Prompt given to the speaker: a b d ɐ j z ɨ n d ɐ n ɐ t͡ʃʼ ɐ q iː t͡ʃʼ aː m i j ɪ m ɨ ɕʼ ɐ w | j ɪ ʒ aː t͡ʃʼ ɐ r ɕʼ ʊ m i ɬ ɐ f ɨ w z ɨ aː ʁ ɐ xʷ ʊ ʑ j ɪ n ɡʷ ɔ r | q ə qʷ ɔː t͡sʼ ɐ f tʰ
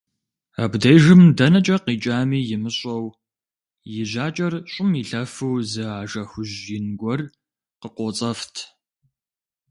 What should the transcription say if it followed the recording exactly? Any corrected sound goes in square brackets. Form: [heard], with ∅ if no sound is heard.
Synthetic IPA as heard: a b d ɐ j [ʒ] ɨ [m] d ɐ n ɐ t͡ʃʼ ɐ q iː t͡ʃʼ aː m [iː] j ɪ m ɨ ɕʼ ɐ w | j ɪ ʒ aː t͡ʃʼ ɐ r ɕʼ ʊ m i ɬ ɐ f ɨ w z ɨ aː [ʒ] ɐ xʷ ʊ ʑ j ɪ n ɡʷ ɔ r | q ə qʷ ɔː t͡sʼ ɐ f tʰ